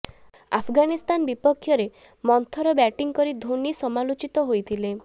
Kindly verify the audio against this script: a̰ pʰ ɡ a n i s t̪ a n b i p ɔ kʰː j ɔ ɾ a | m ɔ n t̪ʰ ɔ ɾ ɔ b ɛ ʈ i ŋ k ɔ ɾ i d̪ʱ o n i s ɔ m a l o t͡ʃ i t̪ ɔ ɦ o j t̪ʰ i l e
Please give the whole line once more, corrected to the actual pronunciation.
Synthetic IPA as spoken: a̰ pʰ ɡ a n i s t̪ a n b i p ɔ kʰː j ɔ ɾ e | m ɔ n t̪ʰ ɔ ɾ ɔ b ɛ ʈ i ŋ k ɔ ɾ i d̪ʱ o n i s ɔ m a l o t͡ʃ i t̪ ɔ ɦ o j t̪ʰ i l e